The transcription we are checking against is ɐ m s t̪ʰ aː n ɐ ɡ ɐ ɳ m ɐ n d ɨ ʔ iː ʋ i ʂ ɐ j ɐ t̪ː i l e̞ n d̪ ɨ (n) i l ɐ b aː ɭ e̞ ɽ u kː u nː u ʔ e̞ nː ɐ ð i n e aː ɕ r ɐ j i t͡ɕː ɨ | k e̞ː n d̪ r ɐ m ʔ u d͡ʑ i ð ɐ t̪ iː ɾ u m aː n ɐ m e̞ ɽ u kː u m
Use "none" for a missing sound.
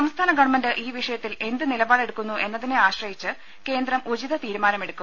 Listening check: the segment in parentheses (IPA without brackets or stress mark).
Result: n